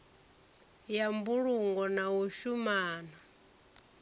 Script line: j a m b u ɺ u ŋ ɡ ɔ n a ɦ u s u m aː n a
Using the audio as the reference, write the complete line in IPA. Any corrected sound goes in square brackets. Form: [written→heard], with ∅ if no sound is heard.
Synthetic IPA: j a m b u ɺ u ŋ ɡ ɔ n a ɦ u [s→ʃ] u m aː n a

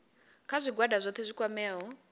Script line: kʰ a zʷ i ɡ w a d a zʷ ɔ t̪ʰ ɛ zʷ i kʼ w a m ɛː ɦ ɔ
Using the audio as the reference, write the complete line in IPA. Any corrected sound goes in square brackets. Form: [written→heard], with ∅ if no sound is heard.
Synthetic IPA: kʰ a zʷ i ɡ w a d a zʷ ɔ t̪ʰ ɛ zʷ i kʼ w a m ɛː ɦ ɔ

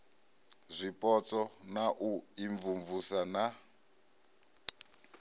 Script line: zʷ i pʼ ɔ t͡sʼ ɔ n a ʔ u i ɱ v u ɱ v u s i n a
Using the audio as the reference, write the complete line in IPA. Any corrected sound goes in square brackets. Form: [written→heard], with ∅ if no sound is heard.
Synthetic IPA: zʷ i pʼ ɔ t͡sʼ ɔ n a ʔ u i ɱ v u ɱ v u s [i→a] n a

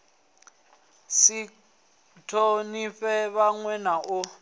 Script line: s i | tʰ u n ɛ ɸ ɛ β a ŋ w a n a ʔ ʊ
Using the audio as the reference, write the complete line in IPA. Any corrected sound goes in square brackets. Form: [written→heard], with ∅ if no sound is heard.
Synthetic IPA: s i | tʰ [u→o] n [ɛ→i] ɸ ɛ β a ŋ w [a→ɛ] n a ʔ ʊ

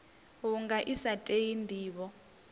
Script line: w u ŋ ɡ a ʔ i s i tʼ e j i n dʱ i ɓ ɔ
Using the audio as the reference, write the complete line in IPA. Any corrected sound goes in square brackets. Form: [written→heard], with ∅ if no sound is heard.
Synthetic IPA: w u ŋ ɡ a ʔ i s [i→a] tʼ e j i n dʱ [i→iː] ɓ ɔ

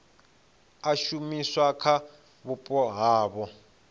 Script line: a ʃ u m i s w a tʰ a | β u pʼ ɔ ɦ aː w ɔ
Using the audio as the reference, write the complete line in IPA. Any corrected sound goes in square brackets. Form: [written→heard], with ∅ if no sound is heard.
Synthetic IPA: a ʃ u m i s w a [tʰ→kʰ] a | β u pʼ ɔ ɦ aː [w→β] ɔ

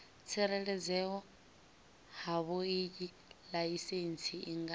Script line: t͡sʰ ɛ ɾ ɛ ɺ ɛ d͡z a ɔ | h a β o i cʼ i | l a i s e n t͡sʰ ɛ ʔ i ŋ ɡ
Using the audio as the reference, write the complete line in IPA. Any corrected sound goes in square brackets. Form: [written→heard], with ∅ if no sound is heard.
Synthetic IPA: t͡sʰ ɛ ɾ ɛ ɺ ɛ d͡z [a→ɛ] ɔ | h a β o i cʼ i | l a i s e n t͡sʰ [ɛ→i] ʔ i ŋ ɡ

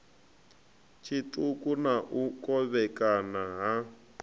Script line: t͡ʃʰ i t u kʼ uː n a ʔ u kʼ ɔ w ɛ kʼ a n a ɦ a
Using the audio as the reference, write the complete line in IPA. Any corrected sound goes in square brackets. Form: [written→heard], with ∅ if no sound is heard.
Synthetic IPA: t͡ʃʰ i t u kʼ [uː→u] n a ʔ u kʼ ɔ [w→β] ɛ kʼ a n a ɦ a

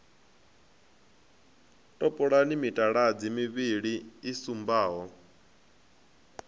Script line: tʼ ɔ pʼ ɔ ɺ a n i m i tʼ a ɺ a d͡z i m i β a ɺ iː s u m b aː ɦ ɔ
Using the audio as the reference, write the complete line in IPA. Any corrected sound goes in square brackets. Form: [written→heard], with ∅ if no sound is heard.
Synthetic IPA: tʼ ɔ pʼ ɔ ɺ a n i m i tʼ a ɺ a d͡z i m i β [a→i] ɺ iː s u m b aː ɦ ɔ

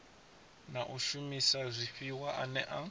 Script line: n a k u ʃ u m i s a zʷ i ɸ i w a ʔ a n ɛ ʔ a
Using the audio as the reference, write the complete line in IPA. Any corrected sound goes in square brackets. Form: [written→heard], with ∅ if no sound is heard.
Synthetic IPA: n a [k→ʔ] u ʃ u m i s a zʷ i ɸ i w a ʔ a n ɛ ʔ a

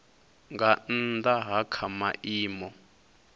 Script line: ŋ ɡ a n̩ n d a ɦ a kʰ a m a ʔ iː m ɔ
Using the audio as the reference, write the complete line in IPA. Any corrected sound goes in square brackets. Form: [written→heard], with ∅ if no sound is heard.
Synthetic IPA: ŋ ɡ a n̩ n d a ɦ a kʰ a m a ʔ iː m ɔ

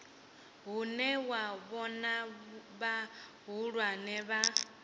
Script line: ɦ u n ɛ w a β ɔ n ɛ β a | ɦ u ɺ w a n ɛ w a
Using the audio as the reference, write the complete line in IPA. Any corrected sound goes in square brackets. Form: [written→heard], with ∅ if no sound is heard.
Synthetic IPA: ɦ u n ɛ w a β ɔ n [ɛ→a] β a | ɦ u ɺ w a n ɛ [w→β] a

